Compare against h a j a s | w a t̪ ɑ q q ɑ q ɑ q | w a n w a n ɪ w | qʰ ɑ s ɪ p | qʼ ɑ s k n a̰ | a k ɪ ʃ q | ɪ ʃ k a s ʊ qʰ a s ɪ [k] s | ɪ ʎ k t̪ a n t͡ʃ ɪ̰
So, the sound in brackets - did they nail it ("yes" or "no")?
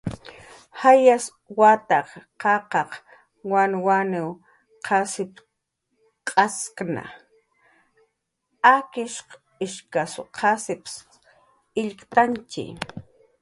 no